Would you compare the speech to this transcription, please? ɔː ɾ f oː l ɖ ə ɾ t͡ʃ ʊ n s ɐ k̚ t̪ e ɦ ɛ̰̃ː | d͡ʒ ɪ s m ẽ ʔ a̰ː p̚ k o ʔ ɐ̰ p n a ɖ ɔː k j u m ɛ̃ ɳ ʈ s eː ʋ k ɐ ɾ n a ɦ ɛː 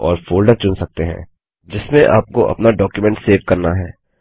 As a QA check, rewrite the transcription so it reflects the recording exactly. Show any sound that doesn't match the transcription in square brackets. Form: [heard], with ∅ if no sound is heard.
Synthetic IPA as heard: ɔː ɾ f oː l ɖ ə ɾ t͡ʃ ʊ n s ɐ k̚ t̪ e ɦ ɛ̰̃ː | d͡ʒ ɪ s m ẽ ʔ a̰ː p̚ k o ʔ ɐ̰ p n a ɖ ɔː k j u m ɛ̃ ɳ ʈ s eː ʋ k ɐ ɾ n a ɦ ɛː